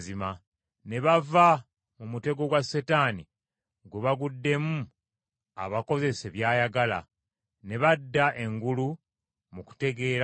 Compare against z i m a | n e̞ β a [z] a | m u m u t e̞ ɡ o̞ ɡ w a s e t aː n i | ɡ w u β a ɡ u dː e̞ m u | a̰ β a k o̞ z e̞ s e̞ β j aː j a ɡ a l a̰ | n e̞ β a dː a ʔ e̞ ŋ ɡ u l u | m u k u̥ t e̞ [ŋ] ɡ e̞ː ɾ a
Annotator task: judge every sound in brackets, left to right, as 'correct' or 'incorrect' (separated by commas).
incorrect, incorrect